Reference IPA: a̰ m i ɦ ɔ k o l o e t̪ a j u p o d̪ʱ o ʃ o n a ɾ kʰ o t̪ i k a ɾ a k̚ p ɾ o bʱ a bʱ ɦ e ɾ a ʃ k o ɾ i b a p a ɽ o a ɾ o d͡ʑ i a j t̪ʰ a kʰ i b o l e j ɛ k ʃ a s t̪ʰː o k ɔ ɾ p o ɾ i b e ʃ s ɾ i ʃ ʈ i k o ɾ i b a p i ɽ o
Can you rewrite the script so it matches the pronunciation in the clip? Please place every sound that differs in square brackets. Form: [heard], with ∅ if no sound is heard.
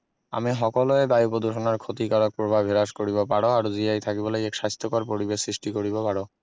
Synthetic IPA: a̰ m i ɦ ɔ k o l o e [d̪] a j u p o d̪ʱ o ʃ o n a ɾ kʰ o t̪ i k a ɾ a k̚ p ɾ o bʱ a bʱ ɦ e ɾ a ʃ k o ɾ i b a p a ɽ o a ɾ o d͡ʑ i a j t̪ʰ a [k] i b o l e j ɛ k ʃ a s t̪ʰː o k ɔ ɾ p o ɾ i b e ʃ s ɾ i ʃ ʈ i k o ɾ i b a p [a] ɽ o